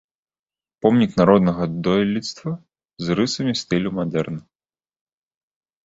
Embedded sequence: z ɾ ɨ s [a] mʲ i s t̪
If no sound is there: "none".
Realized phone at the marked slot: ɐ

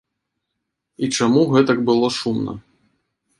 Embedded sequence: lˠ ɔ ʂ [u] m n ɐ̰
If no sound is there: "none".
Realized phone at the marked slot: u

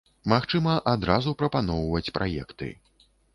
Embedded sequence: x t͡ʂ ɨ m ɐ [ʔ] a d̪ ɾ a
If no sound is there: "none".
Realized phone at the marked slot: ʔ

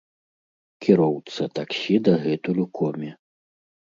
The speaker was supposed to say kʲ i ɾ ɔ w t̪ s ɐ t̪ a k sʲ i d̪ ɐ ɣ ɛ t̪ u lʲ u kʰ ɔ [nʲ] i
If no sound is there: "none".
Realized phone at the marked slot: mʲ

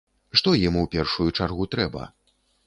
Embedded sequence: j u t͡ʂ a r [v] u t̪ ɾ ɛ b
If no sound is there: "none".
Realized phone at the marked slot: ɣ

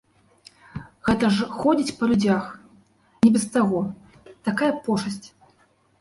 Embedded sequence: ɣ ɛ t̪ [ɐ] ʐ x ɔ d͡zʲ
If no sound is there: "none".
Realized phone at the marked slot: ɐ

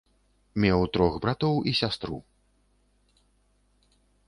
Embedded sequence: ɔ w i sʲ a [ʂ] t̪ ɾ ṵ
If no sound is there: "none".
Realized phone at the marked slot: s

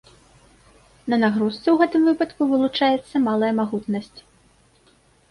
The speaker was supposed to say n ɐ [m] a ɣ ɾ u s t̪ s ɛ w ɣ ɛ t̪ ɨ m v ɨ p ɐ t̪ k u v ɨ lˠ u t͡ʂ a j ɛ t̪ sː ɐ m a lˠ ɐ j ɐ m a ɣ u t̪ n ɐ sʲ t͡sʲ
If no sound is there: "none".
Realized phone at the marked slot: n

